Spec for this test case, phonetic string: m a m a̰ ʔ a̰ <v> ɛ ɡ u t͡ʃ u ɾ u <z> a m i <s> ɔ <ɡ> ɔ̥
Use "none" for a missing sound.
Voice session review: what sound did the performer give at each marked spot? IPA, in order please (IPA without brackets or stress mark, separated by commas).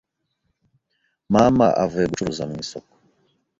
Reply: v, z, s, k